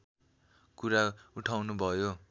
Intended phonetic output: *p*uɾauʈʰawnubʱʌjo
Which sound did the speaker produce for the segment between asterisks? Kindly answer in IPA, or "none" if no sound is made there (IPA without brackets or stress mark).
k